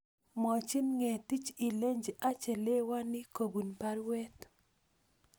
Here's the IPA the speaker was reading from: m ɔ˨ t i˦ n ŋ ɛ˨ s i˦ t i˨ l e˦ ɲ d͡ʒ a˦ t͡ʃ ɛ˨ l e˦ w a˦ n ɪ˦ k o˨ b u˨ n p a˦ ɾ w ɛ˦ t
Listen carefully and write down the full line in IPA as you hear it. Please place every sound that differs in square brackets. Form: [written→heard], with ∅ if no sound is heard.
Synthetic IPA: m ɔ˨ [t→t͡ʃ] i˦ n ŋ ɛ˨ [s→t] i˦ [t→t͡ʃ] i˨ l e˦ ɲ d͡ʒ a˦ t͡ʃ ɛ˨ l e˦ w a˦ n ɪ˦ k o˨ b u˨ n p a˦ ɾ w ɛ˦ t